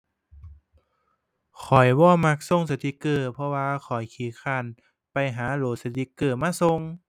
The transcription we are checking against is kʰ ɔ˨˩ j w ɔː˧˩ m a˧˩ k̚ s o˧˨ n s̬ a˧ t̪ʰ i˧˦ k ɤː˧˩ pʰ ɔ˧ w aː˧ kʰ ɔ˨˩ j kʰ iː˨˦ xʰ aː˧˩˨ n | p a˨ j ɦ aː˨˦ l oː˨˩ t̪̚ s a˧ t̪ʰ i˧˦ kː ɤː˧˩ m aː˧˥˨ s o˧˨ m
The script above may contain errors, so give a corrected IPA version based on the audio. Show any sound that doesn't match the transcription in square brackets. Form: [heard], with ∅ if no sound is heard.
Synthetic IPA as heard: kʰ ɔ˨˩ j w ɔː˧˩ m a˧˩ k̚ s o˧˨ [ŋ] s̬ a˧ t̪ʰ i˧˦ k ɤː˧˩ pʰ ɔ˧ w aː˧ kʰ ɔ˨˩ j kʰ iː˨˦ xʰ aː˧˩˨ n | p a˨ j ɦ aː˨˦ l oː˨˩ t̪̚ s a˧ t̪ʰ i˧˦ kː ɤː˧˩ m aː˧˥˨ s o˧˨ [ŋ]